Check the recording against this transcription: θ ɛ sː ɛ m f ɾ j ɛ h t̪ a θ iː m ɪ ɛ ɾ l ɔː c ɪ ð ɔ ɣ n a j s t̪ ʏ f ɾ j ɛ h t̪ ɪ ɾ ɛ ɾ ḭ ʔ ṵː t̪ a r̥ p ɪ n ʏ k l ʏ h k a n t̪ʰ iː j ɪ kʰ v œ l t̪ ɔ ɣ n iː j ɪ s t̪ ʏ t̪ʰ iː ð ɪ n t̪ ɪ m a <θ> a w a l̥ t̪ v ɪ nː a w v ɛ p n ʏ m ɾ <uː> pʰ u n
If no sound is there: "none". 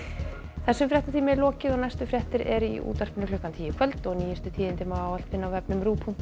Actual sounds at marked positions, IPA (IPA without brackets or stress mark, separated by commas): none, uː